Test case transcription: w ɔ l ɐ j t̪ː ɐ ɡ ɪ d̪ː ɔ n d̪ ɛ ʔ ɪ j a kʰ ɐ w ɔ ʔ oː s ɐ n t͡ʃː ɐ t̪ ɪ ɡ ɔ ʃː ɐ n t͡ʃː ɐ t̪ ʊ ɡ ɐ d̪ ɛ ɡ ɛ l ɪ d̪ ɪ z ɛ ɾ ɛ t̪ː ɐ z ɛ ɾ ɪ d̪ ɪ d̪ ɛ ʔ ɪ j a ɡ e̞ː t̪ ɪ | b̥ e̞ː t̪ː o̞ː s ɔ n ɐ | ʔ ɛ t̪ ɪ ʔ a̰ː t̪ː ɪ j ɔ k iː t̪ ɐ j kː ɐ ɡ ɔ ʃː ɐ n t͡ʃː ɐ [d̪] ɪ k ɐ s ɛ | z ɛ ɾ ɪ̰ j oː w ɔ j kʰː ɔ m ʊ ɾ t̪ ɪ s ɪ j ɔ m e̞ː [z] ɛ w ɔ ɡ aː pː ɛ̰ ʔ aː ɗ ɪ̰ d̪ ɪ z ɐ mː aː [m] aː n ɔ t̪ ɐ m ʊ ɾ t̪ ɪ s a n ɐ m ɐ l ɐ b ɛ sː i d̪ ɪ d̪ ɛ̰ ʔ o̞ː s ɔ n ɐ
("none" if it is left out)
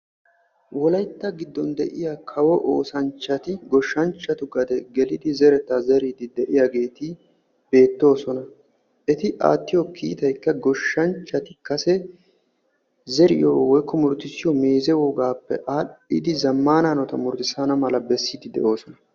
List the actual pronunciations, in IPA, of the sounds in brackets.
t̪, z, n

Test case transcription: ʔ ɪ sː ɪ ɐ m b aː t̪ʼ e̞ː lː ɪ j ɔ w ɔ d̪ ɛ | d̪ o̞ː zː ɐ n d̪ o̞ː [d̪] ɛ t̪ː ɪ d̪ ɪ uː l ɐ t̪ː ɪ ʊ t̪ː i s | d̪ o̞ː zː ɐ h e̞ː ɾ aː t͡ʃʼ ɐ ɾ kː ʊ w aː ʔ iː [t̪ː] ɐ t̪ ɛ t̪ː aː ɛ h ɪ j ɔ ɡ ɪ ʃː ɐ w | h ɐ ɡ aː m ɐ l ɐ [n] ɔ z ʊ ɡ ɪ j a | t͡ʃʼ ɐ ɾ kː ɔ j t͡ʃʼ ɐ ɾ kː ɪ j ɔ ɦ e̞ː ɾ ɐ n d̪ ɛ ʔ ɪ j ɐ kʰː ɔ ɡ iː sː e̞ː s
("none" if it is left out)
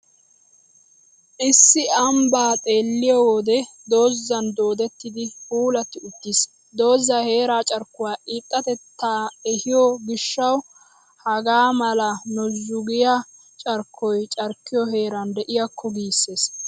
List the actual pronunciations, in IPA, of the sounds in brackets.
d̪, t̪ʼː, n

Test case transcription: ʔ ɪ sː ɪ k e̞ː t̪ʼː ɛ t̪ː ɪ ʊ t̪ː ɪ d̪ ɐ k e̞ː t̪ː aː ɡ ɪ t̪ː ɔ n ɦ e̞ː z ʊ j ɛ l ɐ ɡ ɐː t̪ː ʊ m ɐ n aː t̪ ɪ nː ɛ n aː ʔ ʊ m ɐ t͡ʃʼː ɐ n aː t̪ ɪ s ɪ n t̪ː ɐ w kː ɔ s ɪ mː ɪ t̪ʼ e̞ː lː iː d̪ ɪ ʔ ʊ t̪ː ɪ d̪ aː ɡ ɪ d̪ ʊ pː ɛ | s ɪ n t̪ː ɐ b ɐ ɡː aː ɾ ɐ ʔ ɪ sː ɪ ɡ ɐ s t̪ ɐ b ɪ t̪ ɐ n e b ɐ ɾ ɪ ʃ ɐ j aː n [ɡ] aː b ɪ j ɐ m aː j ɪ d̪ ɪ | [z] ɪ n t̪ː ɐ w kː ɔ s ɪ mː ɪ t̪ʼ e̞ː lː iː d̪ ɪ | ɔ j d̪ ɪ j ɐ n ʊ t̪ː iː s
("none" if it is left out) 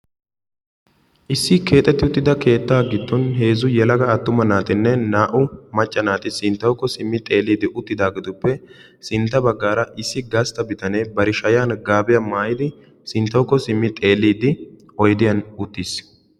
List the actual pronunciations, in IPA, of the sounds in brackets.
ɡ, s

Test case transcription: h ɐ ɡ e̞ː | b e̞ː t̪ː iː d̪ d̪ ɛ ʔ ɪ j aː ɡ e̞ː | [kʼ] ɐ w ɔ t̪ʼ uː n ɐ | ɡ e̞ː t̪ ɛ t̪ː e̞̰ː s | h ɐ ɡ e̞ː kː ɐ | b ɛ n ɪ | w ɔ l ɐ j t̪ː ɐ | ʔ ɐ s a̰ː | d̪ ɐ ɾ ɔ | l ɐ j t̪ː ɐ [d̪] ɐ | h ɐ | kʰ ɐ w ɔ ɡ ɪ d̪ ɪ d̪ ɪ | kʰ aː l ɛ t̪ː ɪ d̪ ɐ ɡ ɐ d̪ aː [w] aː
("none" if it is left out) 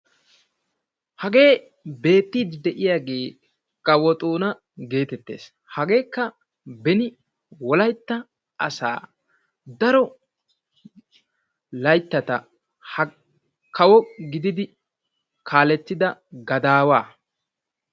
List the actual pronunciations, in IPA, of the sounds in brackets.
kʼ, t̪, w

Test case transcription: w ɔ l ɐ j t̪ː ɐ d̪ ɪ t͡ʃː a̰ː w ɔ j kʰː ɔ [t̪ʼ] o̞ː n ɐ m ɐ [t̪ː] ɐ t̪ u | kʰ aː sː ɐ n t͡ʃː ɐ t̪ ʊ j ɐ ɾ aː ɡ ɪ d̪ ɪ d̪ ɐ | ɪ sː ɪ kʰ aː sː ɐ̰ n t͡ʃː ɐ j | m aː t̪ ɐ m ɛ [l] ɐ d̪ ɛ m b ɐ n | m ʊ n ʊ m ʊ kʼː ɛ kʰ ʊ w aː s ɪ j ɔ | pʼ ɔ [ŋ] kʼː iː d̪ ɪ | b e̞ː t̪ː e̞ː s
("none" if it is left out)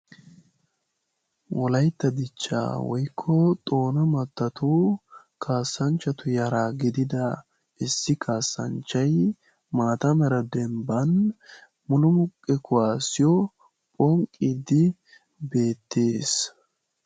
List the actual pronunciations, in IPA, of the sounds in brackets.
t̪ʼ, t̪ː, ɾ, ŋ

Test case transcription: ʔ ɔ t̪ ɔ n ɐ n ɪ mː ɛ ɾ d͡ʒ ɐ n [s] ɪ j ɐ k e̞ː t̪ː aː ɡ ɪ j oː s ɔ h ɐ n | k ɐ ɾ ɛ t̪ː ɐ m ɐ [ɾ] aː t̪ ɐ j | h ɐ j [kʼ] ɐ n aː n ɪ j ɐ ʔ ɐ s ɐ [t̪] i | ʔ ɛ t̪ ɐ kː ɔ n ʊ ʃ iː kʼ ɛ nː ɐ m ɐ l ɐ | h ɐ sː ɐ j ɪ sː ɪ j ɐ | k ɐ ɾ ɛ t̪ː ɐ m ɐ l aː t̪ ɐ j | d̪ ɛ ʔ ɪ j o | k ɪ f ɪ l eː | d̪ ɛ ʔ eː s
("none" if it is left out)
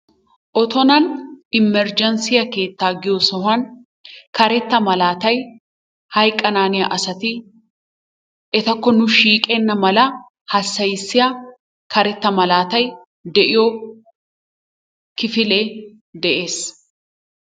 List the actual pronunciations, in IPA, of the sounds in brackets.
s, l, kʼ, t̪

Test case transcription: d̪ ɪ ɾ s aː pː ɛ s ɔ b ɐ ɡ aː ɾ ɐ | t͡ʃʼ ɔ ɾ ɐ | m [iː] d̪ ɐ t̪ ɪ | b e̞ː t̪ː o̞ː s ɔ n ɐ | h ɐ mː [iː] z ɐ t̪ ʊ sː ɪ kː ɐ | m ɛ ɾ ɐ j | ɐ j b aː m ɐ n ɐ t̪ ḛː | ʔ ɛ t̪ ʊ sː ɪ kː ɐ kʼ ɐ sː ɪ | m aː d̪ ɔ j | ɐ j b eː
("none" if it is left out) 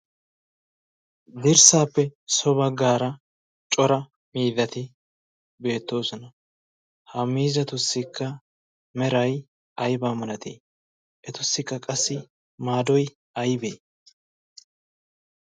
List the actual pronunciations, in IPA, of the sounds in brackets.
iː, iː

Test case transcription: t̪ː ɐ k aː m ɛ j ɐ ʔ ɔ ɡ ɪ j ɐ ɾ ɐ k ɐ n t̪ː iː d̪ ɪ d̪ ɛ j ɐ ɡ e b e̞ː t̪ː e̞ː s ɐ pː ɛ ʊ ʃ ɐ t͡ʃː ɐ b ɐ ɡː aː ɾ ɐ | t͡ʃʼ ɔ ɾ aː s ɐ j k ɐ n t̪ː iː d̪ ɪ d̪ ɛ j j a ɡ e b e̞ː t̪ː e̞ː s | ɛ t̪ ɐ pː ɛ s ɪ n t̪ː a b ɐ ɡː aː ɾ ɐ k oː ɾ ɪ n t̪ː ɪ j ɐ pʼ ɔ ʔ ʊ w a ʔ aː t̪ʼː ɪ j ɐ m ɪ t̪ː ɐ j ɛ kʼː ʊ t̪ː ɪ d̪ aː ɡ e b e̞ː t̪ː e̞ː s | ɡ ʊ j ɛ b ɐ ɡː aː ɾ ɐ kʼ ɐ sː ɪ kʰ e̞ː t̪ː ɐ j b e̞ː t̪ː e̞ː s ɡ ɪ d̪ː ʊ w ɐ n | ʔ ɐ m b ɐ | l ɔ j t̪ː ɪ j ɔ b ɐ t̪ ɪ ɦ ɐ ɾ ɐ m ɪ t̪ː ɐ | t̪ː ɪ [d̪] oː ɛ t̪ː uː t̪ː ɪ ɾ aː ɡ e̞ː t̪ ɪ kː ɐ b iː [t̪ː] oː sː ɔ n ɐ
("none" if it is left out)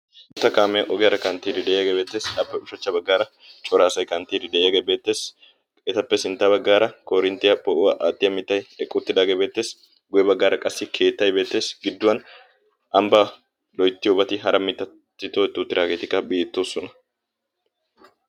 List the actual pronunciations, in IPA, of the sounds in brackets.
t̪, t̪ː

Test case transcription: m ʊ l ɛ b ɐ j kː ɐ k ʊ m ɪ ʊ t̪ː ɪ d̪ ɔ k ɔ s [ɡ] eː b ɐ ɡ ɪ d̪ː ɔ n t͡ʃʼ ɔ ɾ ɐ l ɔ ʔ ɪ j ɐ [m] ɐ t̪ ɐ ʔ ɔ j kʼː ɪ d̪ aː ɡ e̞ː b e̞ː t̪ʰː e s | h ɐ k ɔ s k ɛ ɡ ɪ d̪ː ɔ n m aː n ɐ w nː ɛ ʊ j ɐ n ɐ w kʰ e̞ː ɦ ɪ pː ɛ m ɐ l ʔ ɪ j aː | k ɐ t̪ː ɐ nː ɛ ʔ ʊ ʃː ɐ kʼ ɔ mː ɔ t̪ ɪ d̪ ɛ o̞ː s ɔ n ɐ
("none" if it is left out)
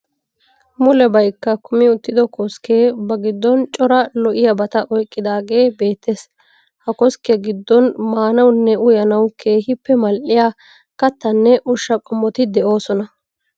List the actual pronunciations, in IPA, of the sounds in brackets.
k, b

